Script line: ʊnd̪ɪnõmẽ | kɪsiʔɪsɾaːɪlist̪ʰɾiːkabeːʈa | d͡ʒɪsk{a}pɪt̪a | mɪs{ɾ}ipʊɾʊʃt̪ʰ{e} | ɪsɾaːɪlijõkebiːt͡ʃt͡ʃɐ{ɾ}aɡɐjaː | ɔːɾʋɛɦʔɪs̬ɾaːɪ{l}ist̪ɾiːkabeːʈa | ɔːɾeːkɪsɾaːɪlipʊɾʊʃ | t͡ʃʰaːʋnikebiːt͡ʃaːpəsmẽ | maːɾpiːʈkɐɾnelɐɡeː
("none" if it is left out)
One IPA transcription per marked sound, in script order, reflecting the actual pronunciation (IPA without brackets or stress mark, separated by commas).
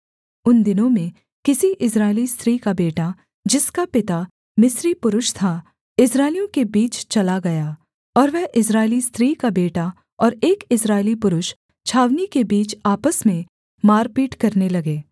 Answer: a, ɾ, a, l, l